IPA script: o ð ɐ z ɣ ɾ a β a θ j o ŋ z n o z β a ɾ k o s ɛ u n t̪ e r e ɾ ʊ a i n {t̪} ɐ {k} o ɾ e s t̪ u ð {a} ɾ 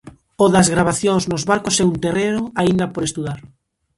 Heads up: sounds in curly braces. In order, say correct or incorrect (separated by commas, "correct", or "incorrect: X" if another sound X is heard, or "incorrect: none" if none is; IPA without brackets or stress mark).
incorrect: d̪, incorrect: p, correct